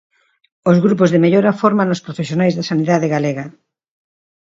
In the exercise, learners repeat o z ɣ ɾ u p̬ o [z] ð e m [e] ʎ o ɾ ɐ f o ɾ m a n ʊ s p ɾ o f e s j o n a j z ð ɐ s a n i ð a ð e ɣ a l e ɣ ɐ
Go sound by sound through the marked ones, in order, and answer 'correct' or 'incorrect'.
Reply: correct, correct

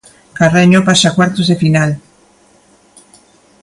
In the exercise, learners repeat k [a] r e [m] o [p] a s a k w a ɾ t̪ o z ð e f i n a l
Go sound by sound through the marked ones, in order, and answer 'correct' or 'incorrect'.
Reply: correct, incorrect: ɲ, correct

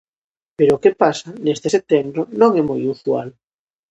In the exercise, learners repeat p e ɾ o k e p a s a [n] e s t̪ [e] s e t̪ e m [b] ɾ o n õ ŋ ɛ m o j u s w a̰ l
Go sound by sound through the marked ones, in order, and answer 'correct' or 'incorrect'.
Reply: correct, correct, correct

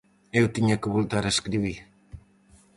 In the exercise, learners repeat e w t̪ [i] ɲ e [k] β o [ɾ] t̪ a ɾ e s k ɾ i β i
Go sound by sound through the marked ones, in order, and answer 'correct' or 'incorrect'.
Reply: correct, correct, incorrect: l

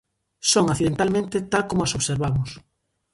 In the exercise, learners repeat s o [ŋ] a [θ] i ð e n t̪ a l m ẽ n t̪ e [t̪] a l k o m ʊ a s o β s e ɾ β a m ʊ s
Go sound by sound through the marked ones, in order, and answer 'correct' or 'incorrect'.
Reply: correct, correct, correct

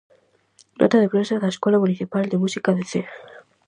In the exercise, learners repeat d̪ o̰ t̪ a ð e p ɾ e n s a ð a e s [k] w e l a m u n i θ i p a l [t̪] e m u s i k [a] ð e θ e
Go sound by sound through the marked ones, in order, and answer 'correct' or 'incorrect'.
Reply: correct, incorrect: d̪, correct

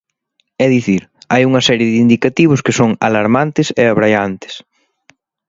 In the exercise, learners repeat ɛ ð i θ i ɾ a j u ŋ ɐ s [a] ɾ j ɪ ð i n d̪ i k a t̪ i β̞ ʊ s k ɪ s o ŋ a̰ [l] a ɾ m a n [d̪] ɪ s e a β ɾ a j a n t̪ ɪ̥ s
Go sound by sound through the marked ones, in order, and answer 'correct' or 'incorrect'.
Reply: incorrect: ɛ, correct, incorrect: t̪

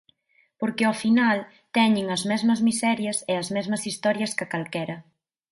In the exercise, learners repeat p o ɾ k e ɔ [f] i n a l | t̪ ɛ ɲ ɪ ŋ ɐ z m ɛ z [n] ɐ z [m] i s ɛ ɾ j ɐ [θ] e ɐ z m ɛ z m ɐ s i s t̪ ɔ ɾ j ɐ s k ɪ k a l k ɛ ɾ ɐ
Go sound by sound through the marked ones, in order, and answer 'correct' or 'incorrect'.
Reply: correct, incorrect: m, correct, incorrect: s

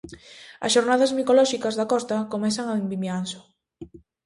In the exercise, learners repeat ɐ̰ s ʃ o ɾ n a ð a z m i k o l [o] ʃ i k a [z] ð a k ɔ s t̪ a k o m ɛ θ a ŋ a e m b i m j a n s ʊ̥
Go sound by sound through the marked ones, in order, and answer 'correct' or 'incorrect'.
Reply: incorrect: ɔ, correct

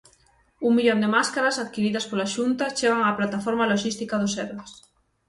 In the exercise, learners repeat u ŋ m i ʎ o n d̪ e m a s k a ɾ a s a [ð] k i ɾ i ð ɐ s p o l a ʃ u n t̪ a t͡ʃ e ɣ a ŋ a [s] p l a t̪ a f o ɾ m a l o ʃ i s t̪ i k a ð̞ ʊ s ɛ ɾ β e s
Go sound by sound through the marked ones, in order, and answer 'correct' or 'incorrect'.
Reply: correct, incorrect: none

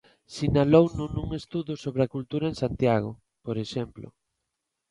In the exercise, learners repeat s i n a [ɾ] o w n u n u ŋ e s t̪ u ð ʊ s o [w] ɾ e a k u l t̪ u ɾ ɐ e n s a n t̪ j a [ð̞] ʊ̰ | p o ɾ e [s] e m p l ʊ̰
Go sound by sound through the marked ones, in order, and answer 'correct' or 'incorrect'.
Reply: incorrect: l, incorrect: β, incorrect: ɣ̞, incorrect: ʃ

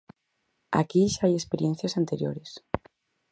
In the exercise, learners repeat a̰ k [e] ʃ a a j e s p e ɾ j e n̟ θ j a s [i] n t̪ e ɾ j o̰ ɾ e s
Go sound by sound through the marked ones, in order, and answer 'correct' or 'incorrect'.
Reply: incorrect: i, incorrect: a

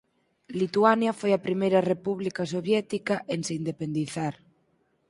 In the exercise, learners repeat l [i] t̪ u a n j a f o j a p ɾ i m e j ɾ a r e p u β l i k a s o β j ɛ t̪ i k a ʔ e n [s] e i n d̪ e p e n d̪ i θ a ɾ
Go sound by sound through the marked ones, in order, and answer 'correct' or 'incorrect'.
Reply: correct, correct

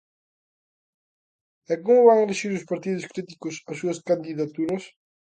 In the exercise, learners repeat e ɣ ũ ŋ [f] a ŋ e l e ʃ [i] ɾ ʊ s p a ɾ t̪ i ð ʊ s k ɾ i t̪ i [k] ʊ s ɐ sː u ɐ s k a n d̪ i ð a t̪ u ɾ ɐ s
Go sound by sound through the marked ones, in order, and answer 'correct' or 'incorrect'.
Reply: incorrect: v, correct, correct

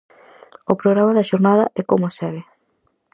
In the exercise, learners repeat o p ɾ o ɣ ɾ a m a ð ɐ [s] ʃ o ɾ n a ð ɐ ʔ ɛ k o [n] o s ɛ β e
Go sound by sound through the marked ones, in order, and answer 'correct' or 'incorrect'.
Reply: incorrect: none, incorrect: m

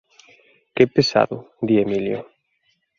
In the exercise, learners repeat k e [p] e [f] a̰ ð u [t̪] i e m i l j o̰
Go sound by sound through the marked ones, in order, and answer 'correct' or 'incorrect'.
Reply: correct, incorrect: s, incorrect: d̪

